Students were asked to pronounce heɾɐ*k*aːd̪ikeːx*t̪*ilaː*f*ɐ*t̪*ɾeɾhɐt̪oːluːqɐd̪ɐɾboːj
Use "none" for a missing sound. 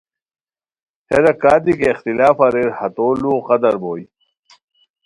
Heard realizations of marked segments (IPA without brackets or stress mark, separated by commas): k, t̪, f, none